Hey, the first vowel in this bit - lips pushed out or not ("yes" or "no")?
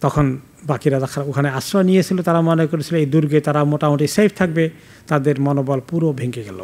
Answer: yes